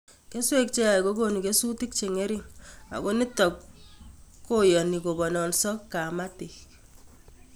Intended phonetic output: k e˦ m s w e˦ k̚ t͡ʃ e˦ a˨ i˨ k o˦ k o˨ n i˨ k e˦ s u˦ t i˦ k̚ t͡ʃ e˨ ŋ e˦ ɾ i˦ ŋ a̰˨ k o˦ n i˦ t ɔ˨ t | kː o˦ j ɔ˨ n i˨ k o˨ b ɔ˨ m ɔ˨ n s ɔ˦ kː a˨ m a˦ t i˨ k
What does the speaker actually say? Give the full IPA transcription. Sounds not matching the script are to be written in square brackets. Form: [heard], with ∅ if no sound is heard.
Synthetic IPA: k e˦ [∅] s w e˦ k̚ t͡ʃ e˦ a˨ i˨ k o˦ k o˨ n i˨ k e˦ s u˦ t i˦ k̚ t͡ʃ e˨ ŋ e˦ ɾ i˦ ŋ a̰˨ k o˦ n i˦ t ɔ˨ [k] | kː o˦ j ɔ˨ n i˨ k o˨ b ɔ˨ [n] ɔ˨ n s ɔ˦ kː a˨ m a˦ t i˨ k